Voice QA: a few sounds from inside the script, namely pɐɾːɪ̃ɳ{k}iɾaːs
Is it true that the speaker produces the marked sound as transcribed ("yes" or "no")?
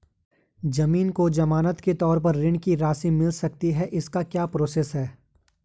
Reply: yes